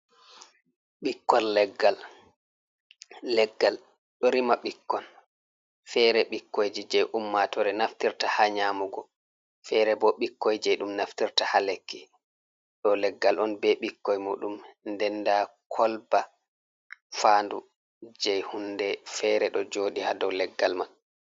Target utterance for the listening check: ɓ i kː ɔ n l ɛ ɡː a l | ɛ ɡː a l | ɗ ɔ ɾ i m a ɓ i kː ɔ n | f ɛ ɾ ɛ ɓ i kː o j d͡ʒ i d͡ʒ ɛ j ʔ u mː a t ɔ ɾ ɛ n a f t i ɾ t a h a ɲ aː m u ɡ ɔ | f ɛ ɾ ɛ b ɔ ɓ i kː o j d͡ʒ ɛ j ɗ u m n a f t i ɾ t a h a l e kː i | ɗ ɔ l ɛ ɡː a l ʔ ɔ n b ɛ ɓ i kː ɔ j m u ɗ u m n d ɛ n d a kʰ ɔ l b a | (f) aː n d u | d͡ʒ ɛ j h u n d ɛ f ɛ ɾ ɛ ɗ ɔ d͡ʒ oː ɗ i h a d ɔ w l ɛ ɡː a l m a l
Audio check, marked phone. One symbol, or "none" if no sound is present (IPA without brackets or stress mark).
f